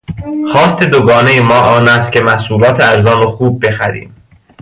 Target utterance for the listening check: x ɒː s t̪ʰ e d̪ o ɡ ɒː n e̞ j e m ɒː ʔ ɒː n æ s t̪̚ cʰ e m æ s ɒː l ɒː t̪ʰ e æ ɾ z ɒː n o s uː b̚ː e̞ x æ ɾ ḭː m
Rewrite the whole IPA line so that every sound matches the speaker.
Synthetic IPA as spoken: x ɒː s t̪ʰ e d̪ o ɡ ɒː n e̞ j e m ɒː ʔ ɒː n æ s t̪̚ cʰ e m æ s uː l ɒː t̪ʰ e æ ɾ z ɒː n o x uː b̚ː e̞ x æ ɾ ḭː m